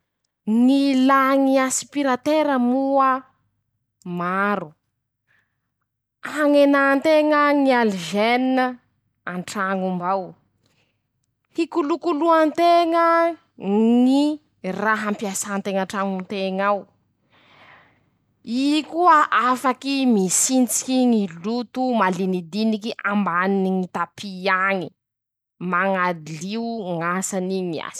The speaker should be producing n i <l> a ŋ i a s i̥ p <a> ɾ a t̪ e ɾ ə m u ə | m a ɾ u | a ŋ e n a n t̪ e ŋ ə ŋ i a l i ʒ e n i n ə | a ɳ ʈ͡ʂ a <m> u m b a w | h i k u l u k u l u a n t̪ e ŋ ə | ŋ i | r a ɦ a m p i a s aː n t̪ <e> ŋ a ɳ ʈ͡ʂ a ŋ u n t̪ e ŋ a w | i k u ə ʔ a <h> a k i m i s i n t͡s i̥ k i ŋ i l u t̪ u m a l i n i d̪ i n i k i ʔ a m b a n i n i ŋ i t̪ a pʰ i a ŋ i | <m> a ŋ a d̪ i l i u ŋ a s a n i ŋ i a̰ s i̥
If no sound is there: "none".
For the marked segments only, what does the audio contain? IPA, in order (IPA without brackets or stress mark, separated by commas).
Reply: l, i, ŋ, e, f, m